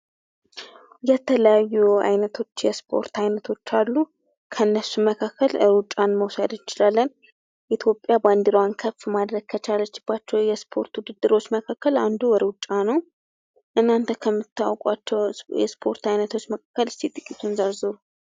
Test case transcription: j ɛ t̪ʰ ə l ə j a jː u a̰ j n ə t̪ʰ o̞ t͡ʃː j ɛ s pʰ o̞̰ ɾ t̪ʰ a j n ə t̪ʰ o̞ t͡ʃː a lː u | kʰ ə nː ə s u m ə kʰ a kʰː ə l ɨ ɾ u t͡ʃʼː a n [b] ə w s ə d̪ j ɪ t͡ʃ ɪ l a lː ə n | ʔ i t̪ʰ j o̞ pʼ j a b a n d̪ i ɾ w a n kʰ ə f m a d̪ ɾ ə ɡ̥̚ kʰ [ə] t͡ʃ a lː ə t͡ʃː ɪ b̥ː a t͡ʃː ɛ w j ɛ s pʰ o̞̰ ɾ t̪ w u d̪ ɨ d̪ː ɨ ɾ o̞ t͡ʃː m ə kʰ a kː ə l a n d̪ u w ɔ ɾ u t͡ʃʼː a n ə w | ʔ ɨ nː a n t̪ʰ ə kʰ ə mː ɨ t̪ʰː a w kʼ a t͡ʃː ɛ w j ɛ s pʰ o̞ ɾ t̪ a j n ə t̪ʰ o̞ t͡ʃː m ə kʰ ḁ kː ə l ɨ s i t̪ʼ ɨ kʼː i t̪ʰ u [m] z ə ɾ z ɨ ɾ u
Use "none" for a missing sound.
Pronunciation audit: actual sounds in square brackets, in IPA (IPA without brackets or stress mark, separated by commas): m, ə, n